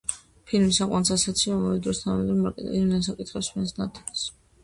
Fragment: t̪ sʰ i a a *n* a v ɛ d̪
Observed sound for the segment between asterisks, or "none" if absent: m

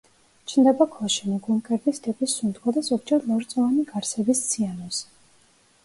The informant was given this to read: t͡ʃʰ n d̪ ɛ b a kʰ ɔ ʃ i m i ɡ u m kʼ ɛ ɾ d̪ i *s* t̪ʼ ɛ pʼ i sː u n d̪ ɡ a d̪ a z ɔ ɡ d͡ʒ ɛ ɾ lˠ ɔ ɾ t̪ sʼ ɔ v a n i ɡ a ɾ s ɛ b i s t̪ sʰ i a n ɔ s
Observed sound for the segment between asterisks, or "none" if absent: s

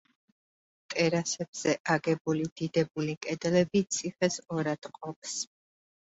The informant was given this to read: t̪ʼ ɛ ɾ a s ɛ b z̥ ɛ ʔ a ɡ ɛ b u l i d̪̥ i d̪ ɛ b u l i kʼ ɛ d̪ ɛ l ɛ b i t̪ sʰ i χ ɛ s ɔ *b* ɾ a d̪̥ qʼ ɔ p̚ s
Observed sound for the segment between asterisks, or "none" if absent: none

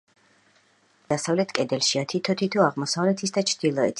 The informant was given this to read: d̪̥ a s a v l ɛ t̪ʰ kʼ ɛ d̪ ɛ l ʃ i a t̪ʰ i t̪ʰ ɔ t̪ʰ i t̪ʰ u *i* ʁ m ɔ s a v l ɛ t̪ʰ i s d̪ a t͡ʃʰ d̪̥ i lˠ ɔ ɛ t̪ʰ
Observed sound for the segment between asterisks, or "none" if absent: a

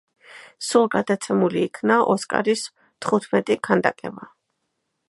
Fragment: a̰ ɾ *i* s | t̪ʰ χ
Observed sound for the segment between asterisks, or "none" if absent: i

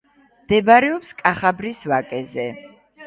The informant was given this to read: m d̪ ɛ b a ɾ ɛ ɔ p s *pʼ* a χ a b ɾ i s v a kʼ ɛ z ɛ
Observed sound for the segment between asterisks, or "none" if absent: kʼ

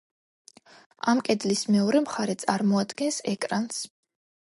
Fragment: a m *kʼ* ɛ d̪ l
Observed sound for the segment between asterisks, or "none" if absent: kʼ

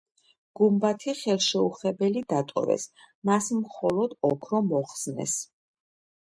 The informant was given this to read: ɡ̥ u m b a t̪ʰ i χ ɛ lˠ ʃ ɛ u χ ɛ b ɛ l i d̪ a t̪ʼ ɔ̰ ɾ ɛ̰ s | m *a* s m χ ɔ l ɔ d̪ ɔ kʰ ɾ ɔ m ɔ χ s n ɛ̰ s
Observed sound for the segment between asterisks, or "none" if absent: a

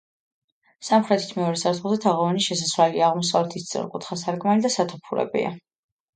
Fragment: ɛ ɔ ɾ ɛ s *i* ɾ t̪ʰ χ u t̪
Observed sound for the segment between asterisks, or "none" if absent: a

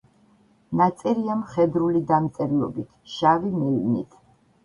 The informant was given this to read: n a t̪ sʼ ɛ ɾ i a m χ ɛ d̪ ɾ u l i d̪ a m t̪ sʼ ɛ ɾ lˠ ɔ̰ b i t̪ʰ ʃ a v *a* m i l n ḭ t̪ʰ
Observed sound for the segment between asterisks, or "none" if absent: i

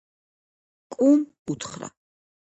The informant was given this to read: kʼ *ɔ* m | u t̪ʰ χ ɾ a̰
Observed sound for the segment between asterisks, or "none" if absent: u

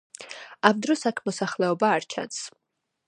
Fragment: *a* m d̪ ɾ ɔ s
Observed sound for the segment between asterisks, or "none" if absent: a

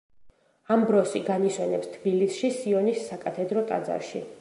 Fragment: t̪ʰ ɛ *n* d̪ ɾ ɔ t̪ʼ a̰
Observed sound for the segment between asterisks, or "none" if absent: none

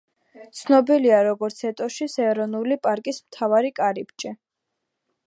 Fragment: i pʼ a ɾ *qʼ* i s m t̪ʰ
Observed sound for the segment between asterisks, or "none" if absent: kʼ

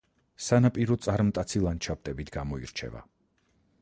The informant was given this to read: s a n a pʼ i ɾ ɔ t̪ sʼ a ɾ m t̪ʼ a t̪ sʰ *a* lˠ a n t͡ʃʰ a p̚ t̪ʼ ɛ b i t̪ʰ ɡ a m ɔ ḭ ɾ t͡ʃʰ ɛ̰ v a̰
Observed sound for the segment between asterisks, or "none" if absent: i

